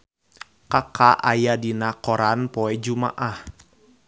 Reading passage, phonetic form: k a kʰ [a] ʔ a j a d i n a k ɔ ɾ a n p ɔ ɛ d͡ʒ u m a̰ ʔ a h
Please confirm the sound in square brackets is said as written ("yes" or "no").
yes